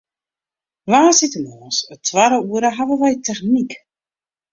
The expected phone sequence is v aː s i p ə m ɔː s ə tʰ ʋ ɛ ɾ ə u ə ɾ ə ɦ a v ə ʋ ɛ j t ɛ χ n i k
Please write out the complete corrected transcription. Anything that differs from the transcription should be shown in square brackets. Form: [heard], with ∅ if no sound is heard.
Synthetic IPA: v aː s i [t] ə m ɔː s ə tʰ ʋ [a] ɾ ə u ə ɾ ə ɦ a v ə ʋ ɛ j t ɛ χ n i k